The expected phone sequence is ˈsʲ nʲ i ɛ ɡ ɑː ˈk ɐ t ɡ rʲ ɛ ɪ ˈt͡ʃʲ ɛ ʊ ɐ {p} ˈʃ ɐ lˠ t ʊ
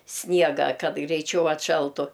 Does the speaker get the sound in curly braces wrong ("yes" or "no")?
yes